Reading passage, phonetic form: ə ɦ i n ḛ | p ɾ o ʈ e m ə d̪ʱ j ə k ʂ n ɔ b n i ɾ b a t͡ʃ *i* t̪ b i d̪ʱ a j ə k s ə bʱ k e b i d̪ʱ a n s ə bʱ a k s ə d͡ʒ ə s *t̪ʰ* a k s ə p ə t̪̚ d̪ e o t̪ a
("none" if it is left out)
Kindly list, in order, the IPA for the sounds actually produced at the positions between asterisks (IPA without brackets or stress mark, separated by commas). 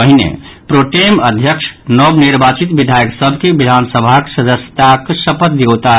i, t̪